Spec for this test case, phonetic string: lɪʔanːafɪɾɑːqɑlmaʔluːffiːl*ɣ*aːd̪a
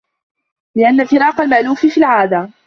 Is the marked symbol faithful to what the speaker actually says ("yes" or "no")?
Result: no